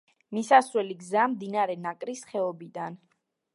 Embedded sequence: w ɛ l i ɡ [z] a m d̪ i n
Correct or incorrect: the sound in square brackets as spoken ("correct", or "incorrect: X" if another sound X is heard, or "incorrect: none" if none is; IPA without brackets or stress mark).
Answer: correct